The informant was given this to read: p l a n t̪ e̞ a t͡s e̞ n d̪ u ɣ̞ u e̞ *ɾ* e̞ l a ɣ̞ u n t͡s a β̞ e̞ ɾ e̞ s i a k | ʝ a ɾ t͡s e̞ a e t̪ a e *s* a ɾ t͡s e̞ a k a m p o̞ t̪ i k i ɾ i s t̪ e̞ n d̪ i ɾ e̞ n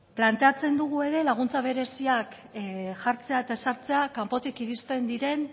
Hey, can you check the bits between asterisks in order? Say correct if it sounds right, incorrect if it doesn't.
correct, correct

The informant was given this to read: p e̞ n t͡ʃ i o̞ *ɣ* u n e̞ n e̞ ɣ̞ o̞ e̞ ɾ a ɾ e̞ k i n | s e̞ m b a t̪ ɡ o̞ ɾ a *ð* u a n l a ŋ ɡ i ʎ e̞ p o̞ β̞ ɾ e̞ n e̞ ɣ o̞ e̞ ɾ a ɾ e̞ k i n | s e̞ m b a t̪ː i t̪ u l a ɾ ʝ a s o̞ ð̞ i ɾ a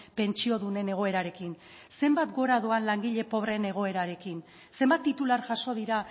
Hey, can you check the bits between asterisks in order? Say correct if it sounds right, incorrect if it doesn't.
incorrect, correct

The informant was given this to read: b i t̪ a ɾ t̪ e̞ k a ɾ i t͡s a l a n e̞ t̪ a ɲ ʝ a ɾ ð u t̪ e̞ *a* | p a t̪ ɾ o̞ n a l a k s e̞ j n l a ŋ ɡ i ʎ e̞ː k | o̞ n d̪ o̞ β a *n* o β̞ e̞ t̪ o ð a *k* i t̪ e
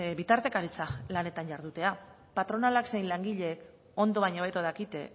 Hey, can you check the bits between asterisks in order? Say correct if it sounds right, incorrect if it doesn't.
correct, incorrect, correct

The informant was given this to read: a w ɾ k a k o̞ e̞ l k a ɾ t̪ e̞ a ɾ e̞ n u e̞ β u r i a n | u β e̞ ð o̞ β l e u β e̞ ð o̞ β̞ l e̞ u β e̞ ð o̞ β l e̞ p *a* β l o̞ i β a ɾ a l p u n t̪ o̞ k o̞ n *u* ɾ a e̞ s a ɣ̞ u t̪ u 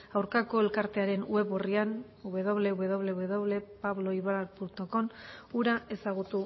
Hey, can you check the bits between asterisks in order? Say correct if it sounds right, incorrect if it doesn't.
correct, correct

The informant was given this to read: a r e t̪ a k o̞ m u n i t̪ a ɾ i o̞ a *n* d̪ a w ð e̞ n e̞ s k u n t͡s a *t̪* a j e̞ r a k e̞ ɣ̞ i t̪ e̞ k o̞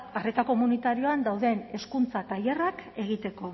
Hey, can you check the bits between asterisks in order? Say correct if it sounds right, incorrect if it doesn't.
correct, correct

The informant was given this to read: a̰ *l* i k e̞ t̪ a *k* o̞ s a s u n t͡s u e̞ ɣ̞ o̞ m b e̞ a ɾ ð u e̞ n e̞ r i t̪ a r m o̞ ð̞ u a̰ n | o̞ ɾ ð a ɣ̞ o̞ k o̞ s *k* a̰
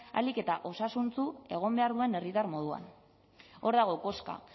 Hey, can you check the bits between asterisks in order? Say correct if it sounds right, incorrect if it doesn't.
correct, incorrect, correct

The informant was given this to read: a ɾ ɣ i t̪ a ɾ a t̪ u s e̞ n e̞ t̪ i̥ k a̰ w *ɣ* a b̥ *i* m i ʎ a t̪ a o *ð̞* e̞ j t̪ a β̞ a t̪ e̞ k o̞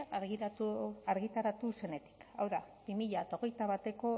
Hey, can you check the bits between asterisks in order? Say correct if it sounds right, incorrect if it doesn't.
incorrect, correct, incorrect

